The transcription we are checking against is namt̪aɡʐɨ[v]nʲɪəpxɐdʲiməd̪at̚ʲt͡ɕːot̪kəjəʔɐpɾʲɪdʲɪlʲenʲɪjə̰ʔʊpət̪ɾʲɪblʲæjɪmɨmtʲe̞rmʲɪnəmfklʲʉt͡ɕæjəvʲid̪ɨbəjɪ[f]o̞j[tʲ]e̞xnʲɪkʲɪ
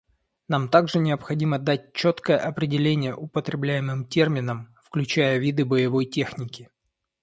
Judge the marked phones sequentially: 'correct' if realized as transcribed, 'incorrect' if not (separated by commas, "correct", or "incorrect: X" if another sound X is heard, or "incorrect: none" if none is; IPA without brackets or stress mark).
incorrect: none, incorrect: v, correct